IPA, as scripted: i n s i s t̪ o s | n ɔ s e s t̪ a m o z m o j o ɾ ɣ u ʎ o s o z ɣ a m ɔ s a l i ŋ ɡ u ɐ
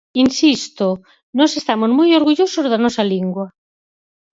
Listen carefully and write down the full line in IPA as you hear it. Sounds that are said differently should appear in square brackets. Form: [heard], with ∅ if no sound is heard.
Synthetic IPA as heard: i n s i s t̪ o [∅] | n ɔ s e s t̪ a m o z m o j o ɾ ɣ u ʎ o s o z [ð] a [n] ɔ s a l i ŋ ɡ [w] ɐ